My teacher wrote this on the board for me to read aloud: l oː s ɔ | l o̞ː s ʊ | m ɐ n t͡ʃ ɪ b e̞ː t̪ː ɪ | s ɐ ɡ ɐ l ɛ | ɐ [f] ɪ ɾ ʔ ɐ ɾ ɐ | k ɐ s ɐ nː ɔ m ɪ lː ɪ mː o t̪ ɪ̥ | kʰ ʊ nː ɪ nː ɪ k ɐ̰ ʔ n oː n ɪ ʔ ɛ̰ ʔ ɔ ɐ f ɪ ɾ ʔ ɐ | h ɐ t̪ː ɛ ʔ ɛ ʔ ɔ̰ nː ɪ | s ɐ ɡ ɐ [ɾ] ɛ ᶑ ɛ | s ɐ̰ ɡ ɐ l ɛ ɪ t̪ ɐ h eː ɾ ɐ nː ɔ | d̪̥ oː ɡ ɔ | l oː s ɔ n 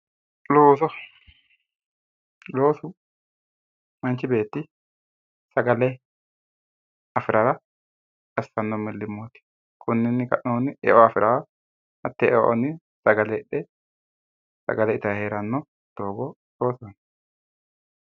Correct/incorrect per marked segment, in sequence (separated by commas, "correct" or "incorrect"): correct, incorrect